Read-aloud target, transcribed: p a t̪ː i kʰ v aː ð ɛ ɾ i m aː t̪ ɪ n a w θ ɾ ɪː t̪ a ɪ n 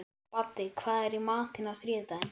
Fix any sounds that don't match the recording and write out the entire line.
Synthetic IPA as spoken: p a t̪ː ɪ kʰ v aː ð ɛ ɾ i m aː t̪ ɪ n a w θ ɾ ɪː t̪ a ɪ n

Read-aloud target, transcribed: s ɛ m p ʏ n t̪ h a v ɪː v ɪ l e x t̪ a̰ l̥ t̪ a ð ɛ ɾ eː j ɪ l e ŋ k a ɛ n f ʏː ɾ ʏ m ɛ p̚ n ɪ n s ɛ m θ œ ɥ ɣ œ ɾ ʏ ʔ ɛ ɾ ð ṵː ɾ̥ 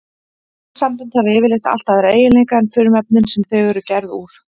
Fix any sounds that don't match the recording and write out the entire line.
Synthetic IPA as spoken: s a m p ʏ n t̪ h a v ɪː v ɪ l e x t̪ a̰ l̥ t̪ a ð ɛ ɾ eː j ɪ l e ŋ k a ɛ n f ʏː ɾ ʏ m ɛ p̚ n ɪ n s ɛ m θ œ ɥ ɣ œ ɾ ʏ c ɛ ɾ ð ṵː ɾ̥

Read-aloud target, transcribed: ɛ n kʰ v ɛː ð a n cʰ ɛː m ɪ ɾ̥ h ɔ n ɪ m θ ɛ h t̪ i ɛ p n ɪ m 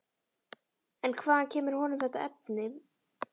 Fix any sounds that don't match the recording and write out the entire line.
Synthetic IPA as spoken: ɛ n kʰ v aː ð a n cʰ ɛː m ɪ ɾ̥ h ɔ n ɪ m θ ɛ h t̪ a ɛ p n ɪ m

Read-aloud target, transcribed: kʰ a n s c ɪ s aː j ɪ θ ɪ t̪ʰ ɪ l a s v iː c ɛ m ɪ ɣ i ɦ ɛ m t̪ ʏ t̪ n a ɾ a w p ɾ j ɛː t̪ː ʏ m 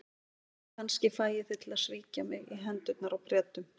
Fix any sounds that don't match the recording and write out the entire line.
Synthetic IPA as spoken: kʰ a n s c ɪ f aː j ɪ θ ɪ t̪ʰ ɪ l a s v iː c a m ɪ ɣ i ɦ ɛ n t̪ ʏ t̪ n a ɾ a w p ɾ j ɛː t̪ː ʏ m

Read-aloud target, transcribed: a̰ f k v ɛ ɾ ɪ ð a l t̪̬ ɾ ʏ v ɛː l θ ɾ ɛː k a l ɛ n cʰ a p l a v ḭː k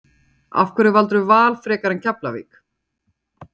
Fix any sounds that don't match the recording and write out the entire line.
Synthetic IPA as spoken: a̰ f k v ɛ ɾ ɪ v a l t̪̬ ɾ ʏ v aː l f ɾ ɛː k a ɾ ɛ n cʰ a p l a v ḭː k

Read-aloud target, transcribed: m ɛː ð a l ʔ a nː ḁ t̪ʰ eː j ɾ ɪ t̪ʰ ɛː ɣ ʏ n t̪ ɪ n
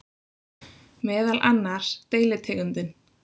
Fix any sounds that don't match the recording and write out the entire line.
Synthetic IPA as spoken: m ɛː ð a l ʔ a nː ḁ t̪ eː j l ɪ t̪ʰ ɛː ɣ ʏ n t̪ ɪ n

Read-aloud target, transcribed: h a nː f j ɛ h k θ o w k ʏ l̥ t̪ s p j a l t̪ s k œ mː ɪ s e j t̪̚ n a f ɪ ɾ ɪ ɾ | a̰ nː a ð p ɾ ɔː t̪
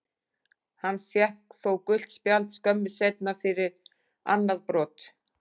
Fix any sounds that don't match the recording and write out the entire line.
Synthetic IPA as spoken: h a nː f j ɛ h k θ o w k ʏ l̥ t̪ s p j a l t̪ s k œ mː ɪ s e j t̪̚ n a f ɪ ɾ ɪ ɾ | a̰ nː a ð p ɾ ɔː t̪

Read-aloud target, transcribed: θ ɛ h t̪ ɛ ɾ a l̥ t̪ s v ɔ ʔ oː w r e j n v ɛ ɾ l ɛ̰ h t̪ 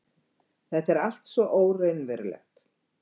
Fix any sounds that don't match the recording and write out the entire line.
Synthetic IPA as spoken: θ ɛ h t̪ ɛ ɾ a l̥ t̪ s v ɔ ʔ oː w r e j n v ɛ ɾ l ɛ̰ x t̪

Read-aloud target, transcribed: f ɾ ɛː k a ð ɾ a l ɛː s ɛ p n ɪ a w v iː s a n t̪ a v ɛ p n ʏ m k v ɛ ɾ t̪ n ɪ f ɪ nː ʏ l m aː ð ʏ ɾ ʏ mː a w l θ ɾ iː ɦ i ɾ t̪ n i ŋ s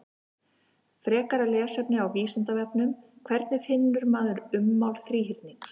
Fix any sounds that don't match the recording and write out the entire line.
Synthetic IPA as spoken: f ɾ ɛː k a ɾ a l ɛː s ɛ p n ɪ a w v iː s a n t̪ a v ɛ p n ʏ m kʰ v ɛ ɾ t̪ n ɪ f ɪ nː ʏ ɾ m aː ð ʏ ɾ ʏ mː a w l θ ɾ iː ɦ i ɾ t̪ n i ŋ s

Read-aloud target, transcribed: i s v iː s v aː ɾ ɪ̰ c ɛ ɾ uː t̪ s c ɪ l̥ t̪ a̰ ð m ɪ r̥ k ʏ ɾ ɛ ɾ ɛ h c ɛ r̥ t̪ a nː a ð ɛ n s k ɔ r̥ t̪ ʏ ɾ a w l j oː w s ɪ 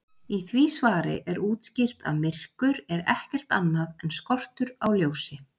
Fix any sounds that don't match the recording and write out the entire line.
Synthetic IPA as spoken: i θ v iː s v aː ɾ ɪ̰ ʔ ɛ ɾ uː t̪ s c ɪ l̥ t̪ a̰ ð m ɪ r̥ k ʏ ɾ ɛ ɾ ɛ h c ɛ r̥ t̪ a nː a ð ɛ n s k ɔ r̥ t̪ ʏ ɾ a w l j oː w s ɪ

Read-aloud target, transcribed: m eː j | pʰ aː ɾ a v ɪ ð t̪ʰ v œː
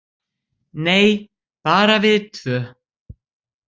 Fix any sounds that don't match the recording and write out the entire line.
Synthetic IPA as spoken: n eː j | p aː ɾ a v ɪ ð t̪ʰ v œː

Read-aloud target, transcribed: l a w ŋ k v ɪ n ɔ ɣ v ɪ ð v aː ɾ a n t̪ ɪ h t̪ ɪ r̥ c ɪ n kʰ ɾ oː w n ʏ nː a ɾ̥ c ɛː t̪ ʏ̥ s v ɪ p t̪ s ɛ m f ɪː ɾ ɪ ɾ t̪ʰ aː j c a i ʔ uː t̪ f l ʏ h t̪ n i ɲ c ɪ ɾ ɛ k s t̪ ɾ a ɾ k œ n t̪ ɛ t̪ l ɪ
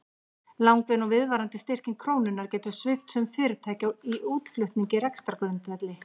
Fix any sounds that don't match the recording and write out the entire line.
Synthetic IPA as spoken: l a w ŋ k v ɪ n ɔ ɣ v ɪ ð v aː ɾ a n t̪ ɪ s t̪ ɪ r̥ c ɪ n kʰ ɾ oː w n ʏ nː a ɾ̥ c ɛː t̪ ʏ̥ s v ɪ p t̪ s ɛ m f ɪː ɾ ɪ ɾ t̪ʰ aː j c a i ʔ uː t̪ f l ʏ h t̪ n i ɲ c ɪ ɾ ɛ k s t̪ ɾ a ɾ k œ n t̪ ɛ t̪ l ɪ

